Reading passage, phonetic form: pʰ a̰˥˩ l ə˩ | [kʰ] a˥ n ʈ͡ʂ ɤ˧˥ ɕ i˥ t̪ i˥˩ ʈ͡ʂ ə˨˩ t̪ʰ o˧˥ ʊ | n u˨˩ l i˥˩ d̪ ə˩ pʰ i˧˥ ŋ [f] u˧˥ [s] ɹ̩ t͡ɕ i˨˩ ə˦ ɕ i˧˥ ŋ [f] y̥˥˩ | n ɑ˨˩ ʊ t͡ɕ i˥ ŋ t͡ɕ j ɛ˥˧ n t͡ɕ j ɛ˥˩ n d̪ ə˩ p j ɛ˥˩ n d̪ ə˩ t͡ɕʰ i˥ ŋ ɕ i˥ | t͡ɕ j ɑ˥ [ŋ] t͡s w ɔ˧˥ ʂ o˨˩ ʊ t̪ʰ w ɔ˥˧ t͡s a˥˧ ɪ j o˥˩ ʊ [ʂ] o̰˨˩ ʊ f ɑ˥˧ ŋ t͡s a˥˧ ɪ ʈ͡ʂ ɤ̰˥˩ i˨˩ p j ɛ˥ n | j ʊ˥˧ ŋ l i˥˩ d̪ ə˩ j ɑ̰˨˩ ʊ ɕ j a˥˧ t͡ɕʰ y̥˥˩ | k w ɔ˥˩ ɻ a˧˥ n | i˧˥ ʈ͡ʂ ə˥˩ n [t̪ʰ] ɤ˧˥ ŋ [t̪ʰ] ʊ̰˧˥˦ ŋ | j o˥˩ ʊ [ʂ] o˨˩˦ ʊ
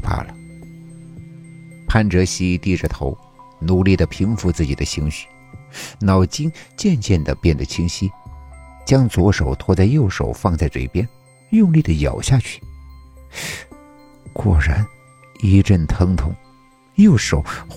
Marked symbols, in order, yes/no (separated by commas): no, yes, no, no, yes, yes, yes, yes, yes